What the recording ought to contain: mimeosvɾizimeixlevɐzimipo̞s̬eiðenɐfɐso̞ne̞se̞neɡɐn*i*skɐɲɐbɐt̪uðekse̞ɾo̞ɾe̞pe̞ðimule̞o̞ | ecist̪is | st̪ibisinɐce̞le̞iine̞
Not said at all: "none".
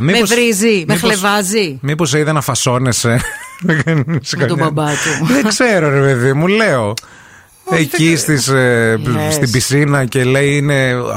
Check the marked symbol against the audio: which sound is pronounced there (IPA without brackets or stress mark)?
i